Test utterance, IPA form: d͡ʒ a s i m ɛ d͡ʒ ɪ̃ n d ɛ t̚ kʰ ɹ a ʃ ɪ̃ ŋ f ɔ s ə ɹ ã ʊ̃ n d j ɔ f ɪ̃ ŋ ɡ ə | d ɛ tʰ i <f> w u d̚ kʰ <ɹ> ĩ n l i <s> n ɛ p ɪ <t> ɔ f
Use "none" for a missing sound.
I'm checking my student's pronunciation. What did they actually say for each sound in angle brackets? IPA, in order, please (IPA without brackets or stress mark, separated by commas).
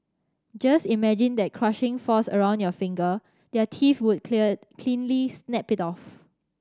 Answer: f, l, s, t